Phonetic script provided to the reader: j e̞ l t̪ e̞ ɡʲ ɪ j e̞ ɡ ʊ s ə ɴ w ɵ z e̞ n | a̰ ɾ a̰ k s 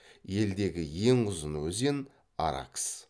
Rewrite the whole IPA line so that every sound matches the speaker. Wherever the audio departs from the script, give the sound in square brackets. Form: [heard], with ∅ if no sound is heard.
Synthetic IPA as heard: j e̞ l [d̪] e̞ ɡʲ ɪ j e̞ [ŋ] ʊ [z] ə [n] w ɵ z e̞ n | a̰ ɾ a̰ k s